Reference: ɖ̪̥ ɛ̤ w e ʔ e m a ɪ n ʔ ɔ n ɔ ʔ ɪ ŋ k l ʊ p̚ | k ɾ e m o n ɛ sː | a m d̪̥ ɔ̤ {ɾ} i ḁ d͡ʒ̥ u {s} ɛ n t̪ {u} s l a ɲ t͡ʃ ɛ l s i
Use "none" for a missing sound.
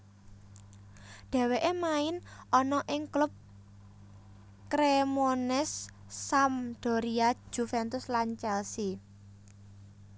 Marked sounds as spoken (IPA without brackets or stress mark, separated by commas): ɾ, f, ʊ